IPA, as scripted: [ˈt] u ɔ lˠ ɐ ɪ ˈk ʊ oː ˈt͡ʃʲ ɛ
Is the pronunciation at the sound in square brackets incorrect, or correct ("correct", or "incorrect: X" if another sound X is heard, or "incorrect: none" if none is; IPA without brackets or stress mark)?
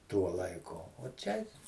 correct